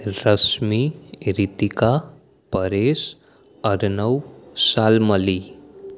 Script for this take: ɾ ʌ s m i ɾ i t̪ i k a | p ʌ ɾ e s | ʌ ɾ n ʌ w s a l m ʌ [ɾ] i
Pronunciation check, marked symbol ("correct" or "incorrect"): incorrect